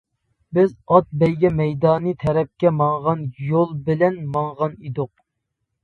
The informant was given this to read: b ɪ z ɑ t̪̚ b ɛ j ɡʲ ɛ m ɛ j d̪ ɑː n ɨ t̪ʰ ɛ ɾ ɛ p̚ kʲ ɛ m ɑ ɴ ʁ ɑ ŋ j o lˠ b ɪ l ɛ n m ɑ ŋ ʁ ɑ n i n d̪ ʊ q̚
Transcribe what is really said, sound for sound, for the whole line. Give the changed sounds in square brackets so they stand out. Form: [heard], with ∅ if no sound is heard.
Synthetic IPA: b ɪ z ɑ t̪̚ b ɛ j ɡʲ ɛ m ɛ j d̪ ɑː n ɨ t̪ʰ ɛ ɾ ɛ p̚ kʲ ɛ m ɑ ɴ ʁ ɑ [n] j o lˠ b ɪ l ɛ n m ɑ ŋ ʁ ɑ n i [∅] d̪ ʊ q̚